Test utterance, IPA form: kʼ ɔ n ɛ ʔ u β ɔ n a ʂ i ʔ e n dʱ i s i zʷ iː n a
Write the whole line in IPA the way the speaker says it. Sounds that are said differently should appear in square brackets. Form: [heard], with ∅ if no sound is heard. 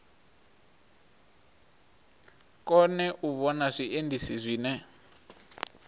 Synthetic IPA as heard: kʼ ɔ n ɛ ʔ u β ɔ n a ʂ i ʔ e n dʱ i s i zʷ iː n [ɛ]